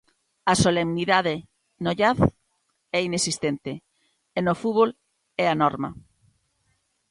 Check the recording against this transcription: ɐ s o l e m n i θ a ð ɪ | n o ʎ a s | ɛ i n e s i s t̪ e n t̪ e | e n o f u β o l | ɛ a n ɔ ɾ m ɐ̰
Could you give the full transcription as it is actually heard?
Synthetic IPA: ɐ s o l e m n i ð a ð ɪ | n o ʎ a θ | ɛ i n e s i s t̪ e n t̪ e | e n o f u β o l | ɛ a n ɔ ɾ m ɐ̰